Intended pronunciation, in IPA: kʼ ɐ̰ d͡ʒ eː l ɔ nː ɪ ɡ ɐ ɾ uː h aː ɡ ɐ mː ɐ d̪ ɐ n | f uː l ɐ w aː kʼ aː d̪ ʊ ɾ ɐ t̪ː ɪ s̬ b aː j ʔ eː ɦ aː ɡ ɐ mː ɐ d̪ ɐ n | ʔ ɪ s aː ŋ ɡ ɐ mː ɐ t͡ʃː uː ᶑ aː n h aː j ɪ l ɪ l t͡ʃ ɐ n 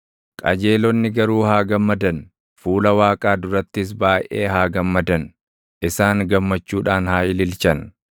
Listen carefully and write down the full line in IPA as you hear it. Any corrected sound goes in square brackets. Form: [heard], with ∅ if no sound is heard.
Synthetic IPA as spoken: kʼ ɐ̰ d͡ʒ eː l ɔ nː ɪ ɡ ɐ ɾ uː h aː ɡ ɐ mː ɐ d̪ ɐ n | f uː l ɐ w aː kʼ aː d̪ ʊ ɾ ɐ t̪ː ɪ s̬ b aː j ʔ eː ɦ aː ɡ ɐ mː ɐ d̪ ɐ n | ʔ ɪ s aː ŋ ɡ ɐ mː ɐ t͡ʃː uː ᶑ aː n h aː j ɪ l ɪ l t͡ʃ ɐ n

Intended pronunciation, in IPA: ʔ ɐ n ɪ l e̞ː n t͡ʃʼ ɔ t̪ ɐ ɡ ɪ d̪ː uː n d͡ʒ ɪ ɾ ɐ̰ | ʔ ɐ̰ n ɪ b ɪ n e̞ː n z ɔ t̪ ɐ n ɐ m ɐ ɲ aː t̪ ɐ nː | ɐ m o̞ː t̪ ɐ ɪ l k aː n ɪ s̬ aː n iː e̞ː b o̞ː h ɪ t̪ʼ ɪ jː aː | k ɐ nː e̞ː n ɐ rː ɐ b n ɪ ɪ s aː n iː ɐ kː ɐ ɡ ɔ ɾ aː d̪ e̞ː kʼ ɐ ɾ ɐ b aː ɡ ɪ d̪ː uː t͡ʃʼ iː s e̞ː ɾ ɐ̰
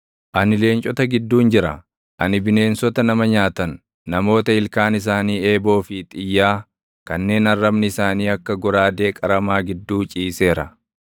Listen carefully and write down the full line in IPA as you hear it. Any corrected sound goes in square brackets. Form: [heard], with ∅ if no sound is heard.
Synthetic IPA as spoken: ʔ ɐ n ɪ l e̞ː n t͡ʃʼ ɔ t̪ ɐ ɡ ɪ d̪ː uː n d͡ʒ ɪ ɾ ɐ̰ | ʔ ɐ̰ n ɪ b ɪ n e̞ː n [s] ɔ t̪ ɐ n ɐ m ɐ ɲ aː t̪ ɐ nː | ɐ m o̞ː t̪ ɐ ɪ l k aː n ɪ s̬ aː n iː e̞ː b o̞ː [f] ɪ t̪ʼ ɪ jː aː | k ɐ nː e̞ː n ɐ rː ɐ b n ɪ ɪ s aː n iː ɐ kː ɐ ɡ ɔ ɾ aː d̪ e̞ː kʼ ɐ ɾ ɐ [m] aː ɡ ɪ d̪ː uː t͡ʃʼ iː s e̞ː ɾ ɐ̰

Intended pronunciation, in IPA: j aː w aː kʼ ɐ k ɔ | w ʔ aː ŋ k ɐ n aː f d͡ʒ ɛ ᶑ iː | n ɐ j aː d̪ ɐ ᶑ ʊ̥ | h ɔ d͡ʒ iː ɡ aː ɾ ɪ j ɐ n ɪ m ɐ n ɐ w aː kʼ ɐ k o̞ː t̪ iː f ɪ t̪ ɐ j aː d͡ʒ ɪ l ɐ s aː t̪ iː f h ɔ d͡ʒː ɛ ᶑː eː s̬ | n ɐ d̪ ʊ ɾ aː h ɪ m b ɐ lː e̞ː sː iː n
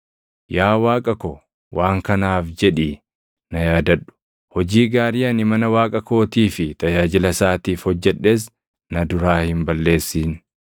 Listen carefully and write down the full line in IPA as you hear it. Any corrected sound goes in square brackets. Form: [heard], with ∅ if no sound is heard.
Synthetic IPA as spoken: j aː w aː kʼ ɐ k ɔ | w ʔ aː ŋ k ɐ n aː f d͡ʒ ɛ ᶑ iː | n ɐ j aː d̪ ɐ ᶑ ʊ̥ | h ɔ d͡ʒ iː ɡ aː ɾ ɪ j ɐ n ɪ m ɐ n ɐ w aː kʼ ɐ k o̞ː t̪ iː f ɪ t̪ ɐ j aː d͡ʒ ɪ l ɐ s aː t̪ iː f h ɔ d͡ʒː ɛ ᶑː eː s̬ | n ɐ d̪ ʊ ɾ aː h ɪ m b ɐ lː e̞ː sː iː n

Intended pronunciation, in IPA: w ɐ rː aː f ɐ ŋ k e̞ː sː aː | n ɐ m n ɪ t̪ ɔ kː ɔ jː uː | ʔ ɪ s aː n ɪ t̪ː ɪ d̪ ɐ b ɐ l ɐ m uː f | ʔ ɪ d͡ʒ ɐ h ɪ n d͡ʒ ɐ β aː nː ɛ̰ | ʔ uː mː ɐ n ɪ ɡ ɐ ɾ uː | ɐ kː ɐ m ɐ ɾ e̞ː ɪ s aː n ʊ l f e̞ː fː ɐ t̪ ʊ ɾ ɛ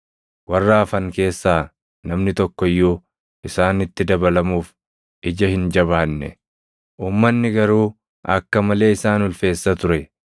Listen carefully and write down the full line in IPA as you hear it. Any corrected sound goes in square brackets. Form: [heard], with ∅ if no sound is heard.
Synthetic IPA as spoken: w ɐ rː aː f ɐ ŋ k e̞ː sː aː | n ɐ m n ɪ t̪ ɔ kː ɔ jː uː | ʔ ɪ s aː n ɪ t̪ː ɪ d̪ ɐ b ɐ l ɐ m uː f | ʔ ɪ d͡ʒ ɐ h ɪ n d͡ʒ ɐ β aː nː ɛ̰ | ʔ uː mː ɐ [nː] ɪ ɡ ɐ ɾ uː | ɐ kː ɐ m ɐ [l] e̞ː ɪ s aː n ʊ l f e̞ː [sː] ɐ t̪ ʊ ɾ ɛ

